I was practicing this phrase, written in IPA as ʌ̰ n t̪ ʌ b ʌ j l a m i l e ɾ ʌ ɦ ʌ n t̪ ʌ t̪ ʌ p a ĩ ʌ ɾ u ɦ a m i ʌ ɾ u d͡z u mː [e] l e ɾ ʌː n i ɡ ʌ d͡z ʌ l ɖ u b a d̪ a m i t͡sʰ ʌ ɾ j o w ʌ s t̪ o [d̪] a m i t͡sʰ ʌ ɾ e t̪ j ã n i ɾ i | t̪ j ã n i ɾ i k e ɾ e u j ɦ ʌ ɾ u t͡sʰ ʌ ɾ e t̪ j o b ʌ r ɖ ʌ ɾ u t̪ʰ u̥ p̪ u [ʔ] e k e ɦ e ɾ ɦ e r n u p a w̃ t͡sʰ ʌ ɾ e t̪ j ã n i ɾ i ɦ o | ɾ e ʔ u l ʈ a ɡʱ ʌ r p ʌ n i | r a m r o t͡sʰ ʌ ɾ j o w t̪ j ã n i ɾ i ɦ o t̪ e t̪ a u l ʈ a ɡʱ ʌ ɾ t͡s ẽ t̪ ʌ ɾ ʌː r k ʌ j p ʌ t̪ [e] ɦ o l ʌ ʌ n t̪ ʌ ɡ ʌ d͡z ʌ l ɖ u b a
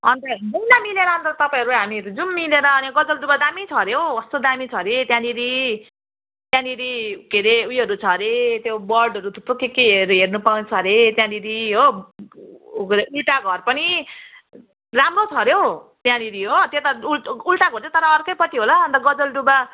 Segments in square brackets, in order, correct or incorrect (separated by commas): incorrect, correct, incorrect, incorrect